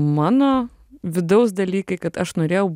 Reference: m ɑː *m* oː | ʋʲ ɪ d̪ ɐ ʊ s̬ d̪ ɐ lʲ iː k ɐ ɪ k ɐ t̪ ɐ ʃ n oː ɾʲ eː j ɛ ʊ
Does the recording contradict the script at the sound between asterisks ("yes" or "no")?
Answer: yes